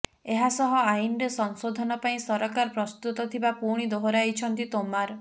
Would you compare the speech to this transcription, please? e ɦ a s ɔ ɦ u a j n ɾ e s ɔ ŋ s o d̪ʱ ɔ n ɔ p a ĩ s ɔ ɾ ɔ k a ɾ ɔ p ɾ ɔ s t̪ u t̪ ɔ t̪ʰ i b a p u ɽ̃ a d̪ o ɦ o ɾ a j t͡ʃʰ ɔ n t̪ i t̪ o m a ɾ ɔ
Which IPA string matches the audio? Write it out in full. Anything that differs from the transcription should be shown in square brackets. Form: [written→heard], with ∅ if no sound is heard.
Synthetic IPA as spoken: e ɦ a s ɔ ɦ [u→ɔ] a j n ɾ e s ɔ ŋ s o d̪ʱ ɔ n ɔ p a ĩ s ɔ ɾ ɔ k a ɾ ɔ p ɾ ɔ s t̪ u t̪ ɔ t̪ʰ i b a p u ɽ̃ [a→i] d̪ o ɦ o ɾ a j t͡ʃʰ ɔ n t̪ i t̪ o m a ɾ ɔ